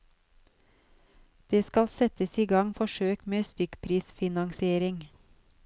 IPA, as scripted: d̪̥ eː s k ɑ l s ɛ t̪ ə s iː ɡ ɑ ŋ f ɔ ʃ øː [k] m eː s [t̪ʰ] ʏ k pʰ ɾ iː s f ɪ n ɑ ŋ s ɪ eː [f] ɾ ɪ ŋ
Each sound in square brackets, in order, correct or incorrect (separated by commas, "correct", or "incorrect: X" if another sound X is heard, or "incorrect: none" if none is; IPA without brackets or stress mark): correct, incorrect: t̪, incorrect: none